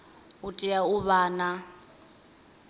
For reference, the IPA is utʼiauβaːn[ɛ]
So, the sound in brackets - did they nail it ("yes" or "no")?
no